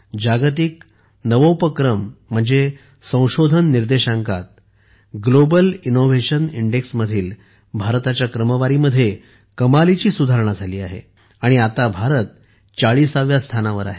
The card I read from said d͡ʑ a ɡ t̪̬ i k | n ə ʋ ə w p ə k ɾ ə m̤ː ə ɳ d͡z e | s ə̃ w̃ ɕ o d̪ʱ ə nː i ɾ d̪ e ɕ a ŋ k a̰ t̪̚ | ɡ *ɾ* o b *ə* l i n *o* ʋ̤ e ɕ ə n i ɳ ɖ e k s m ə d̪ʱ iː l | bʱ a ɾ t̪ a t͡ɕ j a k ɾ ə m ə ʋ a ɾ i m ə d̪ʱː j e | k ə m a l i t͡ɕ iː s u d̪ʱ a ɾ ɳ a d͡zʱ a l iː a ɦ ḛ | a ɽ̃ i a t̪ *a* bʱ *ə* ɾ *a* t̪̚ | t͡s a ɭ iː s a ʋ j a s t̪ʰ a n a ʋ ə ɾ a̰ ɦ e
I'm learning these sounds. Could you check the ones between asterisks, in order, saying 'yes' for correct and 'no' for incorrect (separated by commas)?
no, yes, yes, yes, no, no